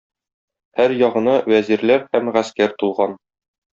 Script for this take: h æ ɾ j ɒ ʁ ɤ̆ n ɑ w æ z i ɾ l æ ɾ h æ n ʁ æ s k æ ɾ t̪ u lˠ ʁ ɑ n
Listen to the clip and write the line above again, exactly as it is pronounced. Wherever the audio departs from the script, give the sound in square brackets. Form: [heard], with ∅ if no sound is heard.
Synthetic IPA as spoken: h æ ɾ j ɒ ʁ ɤ̆ n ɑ w æ z i ɾ l æ ɾ h æ [m] ʁ æ s k æ ɾ t̪ u lˠ ʁ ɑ n